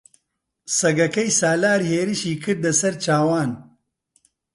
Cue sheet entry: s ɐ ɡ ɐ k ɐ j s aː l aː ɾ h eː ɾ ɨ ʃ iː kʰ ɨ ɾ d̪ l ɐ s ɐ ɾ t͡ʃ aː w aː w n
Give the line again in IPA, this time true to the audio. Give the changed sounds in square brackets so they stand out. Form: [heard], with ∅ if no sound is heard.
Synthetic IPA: s ɐ ɡ ɐ k ɐ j s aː l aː ɾ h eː ɾ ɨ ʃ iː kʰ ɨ ɾ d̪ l ɐ s ɐ ɾ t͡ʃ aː w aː [∅] n